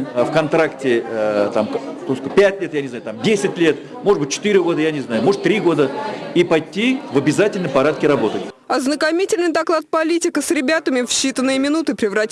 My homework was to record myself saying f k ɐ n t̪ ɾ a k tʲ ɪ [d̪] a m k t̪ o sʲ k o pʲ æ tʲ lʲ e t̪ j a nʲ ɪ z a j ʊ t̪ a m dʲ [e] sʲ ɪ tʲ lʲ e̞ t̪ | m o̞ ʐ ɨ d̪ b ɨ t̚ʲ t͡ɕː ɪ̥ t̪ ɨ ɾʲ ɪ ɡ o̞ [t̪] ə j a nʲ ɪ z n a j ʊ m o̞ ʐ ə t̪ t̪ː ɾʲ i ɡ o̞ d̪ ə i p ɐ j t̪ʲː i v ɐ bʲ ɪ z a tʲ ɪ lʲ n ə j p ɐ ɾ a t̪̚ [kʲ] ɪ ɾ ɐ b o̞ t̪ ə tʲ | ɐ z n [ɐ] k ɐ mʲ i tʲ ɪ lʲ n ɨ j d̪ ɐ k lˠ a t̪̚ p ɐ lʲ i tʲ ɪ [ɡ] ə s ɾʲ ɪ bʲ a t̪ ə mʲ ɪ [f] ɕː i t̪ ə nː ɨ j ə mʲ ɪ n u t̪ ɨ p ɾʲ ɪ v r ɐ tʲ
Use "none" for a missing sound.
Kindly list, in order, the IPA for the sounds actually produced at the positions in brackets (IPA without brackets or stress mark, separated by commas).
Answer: t̪, e, d̪, kʲ, ə, k, f